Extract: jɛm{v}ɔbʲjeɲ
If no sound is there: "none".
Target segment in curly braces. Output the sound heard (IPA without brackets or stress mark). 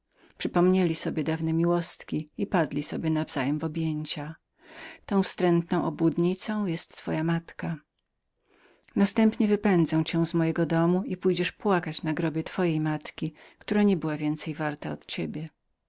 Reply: v